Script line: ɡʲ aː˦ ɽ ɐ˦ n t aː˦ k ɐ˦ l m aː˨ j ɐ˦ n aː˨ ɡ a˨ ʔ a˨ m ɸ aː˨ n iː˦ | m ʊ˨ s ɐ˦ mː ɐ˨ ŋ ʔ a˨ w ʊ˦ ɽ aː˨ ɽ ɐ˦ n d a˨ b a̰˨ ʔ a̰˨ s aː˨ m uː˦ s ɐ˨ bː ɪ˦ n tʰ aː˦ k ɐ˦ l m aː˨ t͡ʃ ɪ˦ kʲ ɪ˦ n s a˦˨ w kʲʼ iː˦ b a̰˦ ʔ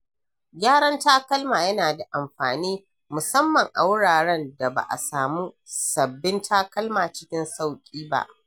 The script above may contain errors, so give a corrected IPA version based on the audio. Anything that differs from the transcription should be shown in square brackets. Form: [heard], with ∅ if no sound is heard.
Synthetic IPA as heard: ɡʲ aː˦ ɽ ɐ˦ n t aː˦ k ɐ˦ l m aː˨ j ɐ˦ n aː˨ [d] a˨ ʔ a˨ m ɸ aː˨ n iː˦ | m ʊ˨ s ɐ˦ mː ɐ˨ ŋ ʔ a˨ w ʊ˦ ɽ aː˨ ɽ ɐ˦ n d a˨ b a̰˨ ʔ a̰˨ s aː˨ m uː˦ s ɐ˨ bː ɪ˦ n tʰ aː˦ k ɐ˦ l m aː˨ t͡ʃ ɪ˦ kʲ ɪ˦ n s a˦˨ w kʲʼ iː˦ b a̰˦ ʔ

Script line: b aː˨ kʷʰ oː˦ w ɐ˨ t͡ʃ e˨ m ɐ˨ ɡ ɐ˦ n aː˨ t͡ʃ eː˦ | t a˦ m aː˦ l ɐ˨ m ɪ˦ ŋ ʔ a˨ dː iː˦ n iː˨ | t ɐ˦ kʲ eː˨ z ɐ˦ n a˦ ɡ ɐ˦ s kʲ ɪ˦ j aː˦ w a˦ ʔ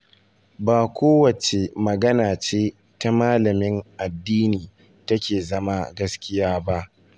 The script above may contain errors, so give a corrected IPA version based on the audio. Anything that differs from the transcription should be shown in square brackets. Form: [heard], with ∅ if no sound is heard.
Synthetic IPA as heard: b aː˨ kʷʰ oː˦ w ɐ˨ t͡ʃ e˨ m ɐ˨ ɡ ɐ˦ n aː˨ t͡ʃ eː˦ | t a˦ m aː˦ l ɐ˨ m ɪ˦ ŋ ʔ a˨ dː iː˦ n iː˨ | t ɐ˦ kʲ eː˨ z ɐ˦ [m] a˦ ɡ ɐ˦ s kʲ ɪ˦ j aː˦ [b] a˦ ʔ

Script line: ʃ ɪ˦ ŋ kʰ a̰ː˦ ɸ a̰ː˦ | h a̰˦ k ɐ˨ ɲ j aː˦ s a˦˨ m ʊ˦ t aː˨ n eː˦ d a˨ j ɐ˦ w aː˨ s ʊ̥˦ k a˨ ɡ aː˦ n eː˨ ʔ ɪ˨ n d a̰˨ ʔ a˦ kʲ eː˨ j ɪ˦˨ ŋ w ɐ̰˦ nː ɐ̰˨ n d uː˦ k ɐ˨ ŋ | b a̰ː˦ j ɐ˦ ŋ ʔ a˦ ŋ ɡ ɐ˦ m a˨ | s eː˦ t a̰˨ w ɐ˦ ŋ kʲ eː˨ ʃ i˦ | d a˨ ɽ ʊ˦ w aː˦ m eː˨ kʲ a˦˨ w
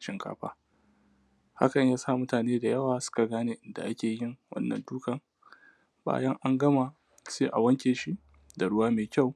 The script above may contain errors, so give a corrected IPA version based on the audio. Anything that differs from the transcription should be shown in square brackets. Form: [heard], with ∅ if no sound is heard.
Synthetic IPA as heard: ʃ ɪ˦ ŋ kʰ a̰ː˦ ɸ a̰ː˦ | h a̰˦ k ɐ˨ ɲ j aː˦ s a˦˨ m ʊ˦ t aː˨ n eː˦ d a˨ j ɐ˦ w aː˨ s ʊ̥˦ k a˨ ɡ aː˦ n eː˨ ʔ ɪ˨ n d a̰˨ ʔ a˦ kʲ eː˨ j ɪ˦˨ ŋ w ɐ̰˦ nː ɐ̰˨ n d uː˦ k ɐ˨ ŋ | b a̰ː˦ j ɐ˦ ŋ ʔ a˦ ŋ ɡ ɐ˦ m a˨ | s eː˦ [ʔ] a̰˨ w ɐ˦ ŋ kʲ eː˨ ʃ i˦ | d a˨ ɽ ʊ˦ w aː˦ m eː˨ kʲ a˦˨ w

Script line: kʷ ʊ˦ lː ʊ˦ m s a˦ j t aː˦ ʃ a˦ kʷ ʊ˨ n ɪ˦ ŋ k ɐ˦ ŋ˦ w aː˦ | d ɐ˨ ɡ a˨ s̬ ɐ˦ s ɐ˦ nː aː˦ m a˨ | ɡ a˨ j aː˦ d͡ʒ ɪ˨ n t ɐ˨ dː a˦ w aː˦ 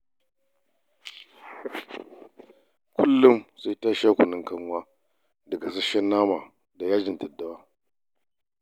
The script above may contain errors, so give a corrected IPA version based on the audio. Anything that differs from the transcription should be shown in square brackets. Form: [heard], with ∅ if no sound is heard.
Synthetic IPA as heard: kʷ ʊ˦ lː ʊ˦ m s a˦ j t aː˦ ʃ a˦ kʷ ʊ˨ n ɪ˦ ŋ k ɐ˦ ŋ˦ w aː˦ | d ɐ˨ ɡ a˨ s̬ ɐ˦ [ʃ] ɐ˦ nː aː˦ m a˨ | [d] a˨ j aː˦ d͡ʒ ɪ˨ n t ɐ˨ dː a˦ w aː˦

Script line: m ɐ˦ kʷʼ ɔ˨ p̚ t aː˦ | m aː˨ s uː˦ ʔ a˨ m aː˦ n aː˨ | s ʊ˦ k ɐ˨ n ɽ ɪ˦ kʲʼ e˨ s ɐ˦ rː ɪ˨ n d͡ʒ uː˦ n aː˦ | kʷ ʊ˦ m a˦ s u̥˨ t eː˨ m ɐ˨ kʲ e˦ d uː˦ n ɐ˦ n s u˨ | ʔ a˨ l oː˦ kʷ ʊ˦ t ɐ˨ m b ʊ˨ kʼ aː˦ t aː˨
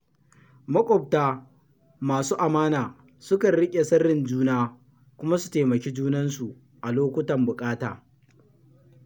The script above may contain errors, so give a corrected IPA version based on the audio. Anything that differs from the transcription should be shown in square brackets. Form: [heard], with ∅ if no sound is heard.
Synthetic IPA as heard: m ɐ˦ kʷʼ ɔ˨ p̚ t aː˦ | m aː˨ s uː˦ ʔ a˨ m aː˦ n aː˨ | s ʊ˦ k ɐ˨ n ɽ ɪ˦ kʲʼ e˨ s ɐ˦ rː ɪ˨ n d͡ʒ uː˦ n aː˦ | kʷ ʊ˦ m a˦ s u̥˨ t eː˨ m ɐ˨ kʲ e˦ [d͡ʒ] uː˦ n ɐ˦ n s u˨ | ʔ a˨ l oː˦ kʷ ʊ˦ t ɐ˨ m b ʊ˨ kʼ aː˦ t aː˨

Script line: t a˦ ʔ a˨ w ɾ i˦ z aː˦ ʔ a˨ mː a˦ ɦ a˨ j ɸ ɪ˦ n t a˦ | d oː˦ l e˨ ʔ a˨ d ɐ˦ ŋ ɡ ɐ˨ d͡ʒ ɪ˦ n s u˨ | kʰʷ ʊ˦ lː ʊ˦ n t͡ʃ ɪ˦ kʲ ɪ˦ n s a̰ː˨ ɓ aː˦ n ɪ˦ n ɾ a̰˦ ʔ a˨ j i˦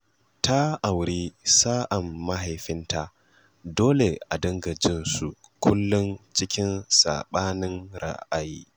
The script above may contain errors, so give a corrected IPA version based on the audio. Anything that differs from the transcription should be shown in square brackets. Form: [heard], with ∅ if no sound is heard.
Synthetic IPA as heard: t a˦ ʔ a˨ w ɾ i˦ [s] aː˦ ʔ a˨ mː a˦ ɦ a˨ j ɸ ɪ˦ n t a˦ | d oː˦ l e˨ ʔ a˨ d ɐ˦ ŋ ɡ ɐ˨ d͡ʒ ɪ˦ n s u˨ | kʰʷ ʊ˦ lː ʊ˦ n t͡ʃ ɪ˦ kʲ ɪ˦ n s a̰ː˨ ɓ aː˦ n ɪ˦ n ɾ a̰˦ ʔ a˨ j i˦

